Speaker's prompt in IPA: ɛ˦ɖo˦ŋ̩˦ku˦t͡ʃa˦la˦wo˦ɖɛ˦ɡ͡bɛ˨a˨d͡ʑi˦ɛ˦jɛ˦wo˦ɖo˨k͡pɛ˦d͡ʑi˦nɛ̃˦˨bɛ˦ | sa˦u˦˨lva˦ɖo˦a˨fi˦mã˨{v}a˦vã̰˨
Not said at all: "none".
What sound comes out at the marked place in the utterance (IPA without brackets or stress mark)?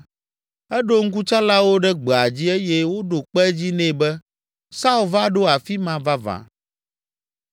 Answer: v